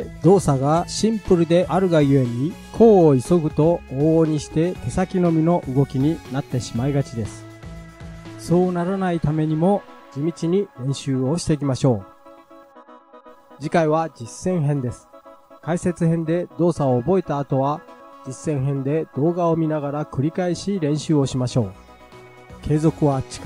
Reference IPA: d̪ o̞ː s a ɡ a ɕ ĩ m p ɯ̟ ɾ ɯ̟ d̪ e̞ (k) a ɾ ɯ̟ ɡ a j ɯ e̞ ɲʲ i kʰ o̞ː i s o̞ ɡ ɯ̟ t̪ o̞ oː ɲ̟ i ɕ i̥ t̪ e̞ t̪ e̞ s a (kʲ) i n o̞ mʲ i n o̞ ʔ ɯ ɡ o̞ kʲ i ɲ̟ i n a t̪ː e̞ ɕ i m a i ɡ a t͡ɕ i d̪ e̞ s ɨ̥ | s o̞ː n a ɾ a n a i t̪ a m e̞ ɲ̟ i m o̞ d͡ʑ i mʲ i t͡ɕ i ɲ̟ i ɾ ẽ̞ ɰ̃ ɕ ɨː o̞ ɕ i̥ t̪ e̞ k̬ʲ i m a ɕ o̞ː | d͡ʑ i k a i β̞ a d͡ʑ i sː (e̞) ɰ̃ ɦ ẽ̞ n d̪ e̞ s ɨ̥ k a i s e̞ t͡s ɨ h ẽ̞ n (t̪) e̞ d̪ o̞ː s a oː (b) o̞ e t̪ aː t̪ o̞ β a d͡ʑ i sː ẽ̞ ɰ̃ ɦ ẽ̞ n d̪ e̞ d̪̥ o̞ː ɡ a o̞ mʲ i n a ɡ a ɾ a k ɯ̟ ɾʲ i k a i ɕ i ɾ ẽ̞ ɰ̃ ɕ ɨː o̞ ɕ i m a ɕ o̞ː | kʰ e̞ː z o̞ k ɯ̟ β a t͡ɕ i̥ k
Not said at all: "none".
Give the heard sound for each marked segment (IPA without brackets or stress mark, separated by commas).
ʔ, kʲ, ẽ̞, d̪, b